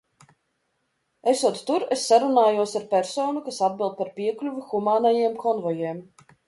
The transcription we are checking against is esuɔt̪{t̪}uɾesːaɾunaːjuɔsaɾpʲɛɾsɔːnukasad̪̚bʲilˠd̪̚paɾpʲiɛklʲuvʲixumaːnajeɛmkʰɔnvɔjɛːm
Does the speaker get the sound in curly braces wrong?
no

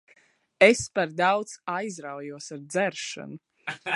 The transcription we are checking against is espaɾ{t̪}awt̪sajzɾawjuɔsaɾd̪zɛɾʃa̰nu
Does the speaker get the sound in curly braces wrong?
yes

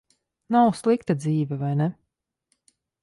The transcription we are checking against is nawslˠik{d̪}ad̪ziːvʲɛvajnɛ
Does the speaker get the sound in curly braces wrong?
yes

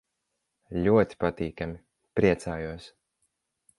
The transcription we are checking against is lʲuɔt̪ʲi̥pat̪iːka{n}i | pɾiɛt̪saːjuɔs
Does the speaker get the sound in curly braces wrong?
yes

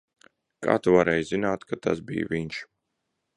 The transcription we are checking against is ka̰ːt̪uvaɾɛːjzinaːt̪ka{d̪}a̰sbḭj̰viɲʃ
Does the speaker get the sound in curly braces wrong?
yes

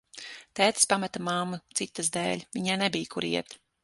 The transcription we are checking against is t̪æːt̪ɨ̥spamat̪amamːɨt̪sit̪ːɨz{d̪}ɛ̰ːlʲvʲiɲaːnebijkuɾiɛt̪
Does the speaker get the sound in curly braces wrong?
no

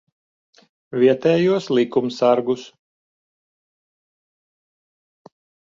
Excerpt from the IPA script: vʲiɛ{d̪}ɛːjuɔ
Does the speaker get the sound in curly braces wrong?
yes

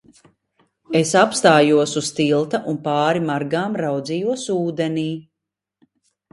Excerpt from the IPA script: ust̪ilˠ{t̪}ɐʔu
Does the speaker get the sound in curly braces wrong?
no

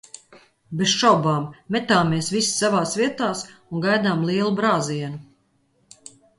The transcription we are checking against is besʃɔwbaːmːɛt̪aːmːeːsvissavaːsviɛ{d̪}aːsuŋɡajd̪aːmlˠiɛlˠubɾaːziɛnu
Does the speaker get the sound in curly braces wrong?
yes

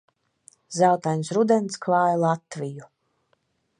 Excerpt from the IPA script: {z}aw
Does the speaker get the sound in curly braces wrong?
no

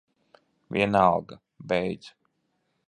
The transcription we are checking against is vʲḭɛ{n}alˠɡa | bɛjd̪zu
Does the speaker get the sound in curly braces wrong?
no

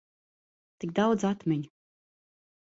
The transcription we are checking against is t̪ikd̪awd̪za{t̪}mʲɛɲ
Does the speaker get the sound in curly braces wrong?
no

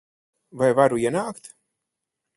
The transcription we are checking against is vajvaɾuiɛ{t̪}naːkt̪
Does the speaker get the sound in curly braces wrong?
yes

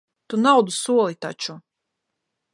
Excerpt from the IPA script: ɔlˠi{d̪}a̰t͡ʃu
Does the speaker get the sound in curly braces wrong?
yes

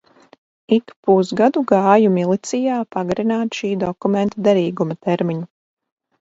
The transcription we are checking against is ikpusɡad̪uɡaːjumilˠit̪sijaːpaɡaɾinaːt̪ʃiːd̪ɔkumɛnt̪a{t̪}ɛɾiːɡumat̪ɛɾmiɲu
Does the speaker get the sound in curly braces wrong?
yes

